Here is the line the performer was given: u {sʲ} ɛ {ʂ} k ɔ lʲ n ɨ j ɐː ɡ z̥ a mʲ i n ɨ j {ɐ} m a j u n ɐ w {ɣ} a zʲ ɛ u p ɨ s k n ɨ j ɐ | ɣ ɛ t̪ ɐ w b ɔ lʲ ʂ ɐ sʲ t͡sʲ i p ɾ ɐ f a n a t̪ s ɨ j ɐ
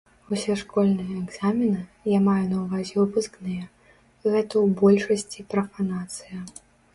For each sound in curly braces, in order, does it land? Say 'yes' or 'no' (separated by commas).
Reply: yes, yes, no, no